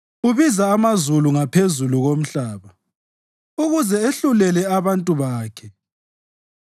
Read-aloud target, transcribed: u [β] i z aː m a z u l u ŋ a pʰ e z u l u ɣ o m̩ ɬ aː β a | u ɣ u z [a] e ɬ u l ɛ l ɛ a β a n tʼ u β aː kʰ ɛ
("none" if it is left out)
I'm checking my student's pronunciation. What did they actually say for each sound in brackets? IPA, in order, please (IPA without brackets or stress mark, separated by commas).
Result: β, ɛ